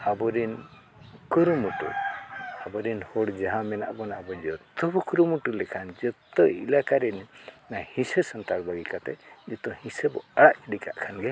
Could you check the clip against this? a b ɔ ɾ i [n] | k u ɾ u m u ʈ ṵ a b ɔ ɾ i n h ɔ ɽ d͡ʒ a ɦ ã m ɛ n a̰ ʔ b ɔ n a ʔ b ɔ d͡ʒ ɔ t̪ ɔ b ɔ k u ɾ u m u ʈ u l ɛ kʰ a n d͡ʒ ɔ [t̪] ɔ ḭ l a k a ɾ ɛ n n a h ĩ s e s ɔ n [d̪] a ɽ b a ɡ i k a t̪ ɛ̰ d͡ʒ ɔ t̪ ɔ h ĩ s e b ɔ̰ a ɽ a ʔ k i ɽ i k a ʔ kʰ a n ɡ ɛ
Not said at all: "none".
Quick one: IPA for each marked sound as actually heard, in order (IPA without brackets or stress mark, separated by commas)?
n, t̪, t̪